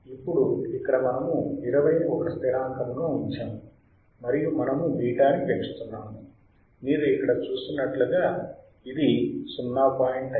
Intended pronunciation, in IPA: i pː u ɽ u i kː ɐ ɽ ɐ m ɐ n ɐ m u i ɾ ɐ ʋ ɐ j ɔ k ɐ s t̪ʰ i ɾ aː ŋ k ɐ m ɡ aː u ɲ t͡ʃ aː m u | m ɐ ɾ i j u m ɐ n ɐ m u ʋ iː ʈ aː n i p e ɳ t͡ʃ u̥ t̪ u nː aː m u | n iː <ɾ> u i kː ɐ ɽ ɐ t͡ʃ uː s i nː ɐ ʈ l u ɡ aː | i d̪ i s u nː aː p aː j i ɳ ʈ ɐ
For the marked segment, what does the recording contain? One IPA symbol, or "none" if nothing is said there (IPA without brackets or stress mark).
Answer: ɾ